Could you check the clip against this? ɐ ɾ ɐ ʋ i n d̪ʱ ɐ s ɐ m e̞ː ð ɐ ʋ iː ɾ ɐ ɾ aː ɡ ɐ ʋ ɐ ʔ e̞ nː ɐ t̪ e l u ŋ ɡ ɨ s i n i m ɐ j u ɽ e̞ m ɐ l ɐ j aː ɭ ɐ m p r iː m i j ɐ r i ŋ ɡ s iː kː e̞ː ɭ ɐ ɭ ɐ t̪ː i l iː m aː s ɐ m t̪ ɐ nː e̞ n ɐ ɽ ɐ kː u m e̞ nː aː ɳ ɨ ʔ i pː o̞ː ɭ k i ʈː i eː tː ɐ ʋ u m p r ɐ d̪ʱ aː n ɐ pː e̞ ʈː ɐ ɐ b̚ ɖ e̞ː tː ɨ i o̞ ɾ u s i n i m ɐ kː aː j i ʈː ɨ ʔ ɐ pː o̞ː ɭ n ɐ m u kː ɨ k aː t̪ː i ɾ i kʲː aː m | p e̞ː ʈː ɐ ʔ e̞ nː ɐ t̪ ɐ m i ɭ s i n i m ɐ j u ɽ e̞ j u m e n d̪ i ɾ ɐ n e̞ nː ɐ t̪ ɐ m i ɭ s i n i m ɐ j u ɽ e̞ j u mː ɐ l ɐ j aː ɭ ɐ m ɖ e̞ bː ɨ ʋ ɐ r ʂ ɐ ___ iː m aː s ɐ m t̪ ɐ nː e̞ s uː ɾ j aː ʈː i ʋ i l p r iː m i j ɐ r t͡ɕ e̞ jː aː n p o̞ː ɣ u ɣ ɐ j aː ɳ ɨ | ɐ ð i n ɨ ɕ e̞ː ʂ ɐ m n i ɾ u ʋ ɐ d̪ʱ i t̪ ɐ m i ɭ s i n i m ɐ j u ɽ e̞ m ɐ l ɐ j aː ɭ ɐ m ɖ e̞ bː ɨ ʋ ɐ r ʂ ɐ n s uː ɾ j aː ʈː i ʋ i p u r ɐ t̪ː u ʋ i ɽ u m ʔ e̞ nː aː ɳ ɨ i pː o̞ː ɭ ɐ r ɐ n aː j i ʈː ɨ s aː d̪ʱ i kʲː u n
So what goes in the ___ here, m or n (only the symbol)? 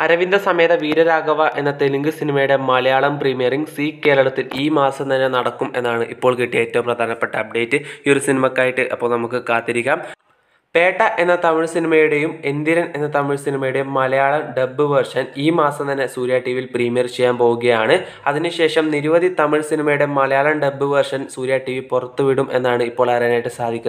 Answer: n